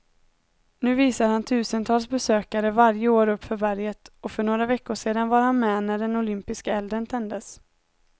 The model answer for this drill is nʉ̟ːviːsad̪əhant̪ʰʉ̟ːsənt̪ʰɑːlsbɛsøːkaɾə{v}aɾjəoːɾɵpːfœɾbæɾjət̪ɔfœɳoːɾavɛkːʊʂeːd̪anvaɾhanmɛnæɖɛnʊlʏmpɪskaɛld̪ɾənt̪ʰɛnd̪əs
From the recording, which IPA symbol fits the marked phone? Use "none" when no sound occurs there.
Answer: v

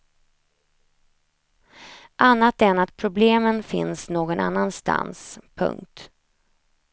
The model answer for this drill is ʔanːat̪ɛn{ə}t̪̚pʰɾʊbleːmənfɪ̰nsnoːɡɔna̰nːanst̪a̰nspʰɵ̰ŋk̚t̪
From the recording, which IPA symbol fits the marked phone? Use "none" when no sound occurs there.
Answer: a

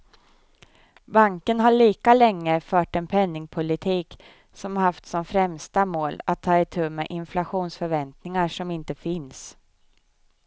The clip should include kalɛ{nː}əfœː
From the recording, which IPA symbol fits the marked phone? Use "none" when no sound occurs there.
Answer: ŋː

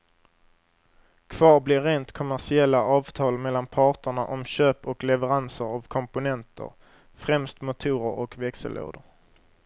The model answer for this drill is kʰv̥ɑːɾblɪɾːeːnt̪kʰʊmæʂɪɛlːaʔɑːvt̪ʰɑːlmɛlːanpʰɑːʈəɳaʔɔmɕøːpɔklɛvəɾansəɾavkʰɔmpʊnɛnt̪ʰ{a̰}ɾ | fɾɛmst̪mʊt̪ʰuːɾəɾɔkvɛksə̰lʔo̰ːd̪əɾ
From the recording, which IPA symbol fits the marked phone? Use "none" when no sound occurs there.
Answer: ə̰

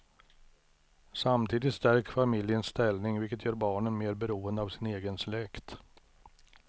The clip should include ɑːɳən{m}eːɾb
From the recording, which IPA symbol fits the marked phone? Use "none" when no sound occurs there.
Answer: m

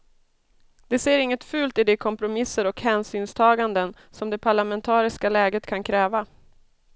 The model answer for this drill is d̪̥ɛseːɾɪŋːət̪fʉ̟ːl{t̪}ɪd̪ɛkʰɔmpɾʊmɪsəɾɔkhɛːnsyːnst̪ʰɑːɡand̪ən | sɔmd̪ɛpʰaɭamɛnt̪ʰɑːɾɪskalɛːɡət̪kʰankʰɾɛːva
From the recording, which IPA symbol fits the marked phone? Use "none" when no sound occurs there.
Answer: t̪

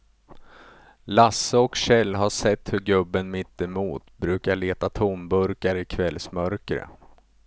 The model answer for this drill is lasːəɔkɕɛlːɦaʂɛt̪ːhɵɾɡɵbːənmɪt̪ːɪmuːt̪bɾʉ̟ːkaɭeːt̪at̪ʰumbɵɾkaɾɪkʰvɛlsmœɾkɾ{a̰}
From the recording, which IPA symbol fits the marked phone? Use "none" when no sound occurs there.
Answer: ə̰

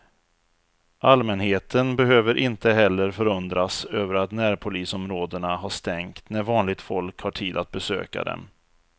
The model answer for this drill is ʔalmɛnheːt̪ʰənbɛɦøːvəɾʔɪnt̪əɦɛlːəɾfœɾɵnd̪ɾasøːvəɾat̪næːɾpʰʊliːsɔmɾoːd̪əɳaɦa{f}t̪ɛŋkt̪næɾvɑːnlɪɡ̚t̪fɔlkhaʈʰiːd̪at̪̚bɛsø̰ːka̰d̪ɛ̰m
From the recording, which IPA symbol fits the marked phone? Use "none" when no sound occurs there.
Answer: ʂ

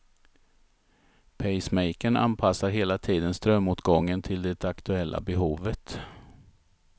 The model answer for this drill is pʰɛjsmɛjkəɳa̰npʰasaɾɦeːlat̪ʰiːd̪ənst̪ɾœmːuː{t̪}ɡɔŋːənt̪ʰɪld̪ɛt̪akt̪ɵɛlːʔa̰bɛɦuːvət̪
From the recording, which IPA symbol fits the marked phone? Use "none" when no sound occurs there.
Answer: t̪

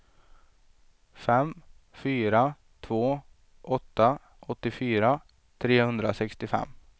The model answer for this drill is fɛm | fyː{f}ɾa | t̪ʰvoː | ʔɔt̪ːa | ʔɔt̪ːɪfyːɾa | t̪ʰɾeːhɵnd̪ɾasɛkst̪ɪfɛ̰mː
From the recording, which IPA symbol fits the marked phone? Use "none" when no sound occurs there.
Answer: none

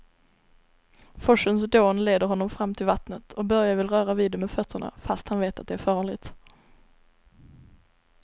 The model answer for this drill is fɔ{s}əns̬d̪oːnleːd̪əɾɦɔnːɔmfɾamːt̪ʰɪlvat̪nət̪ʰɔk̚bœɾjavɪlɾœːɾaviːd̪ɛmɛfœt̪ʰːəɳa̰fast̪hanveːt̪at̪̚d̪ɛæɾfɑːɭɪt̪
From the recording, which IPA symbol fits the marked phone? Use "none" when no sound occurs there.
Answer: ʂ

